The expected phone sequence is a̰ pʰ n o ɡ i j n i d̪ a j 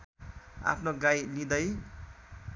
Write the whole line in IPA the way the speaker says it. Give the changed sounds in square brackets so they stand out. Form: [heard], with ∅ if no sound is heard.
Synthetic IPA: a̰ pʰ n o ɡ [a] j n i d̪ [ʌ] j